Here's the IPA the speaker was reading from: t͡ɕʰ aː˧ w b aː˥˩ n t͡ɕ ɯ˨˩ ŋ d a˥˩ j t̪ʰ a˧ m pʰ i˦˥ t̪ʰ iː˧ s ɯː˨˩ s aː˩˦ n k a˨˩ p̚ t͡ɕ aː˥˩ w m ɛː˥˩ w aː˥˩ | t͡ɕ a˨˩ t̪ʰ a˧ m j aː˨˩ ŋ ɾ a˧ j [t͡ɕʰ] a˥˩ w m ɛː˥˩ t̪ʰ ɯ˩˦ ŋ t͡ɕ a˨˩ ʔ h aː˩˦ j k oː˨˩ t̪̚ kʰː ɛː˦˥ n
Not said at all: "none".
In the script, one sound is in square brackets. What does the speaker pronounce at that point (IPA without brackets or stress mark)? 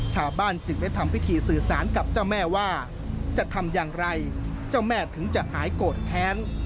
t͡ɕ